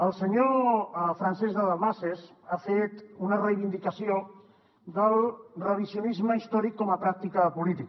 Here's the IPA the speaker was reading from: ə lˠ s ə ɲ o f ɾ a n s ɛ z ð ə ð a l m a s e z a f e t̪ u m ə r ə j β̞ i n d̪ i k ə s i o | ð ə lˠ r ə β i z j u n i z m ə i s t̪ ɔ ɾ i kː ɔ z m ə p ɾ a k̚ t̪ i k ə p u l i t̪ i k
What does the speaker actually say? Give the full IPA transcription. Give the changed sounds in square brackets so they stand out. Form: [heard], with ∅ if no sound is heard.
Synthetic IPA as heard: ə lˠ s ə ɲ o f ɾ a n s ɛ z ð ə ð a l m a s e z a f e t̪ u [n] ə r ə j β̞ i n d̪ i k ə s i o | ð ə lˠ r ə β i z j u n i z m ə i s t̪ ɔ ɾ i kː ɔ [∅] m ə p ɾ a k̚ t̪ i k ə p u l i t̪ i k